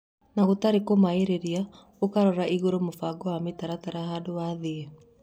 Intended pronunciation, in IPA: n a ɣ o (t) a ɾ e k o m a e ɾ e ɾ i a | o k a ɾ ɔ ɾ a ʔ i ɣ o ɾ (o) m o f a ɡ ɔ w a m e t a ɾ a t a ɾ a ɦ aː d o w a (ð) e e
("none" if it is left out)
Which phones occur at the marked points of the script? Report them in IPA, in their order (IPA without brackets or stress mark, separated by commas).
t, o, ð